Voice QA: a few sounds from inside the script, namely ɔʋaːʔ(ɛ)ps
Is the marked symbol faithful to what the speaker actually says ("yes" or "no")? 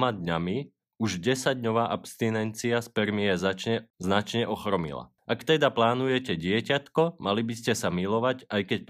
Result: no